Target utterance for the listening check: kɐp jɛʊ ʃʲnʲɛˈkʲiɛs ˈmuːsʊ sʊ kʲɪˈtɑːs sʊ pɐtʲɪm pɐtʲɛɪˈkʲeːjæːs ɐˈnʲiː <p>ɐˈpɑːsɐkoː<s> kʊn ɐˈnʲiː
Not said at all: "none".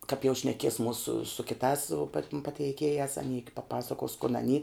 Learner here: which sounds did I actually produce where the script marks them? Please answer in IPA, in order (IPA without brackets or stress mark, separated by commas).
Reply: p, s